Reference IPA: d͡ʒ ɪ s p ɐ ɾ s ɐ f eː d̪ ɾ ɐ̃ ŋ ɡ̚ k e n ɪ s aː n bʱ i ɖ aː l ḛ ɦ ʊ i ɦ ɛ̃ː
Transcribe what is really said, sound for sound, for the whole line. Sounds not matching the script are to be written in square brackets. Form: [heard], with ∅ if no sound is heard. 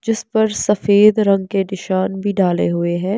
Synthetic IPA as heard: d͡ʒ ɪ s p ɐ ɾ s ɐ f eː d̪ ɾ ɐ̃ ŋ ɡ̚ k e n ɪ [ʃ] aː n bʱ i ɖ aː l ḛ ɦ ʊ [e] ɦ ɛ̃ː